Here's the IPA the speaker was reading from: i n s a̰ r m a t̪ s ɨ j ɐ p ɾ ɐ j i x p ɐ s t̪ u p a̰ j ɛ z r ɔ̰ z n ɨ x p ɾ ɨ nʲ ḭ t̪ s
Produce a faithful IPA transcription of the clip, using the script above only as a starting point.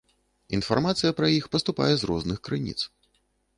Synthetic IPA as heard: i n f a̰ r m a t̪ s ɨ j ɐ p ɾ ɐ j i x p ɐ s t̪ u p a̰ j ɛ z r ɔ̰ z n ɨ x k ɾ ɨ nʲ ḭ t̪ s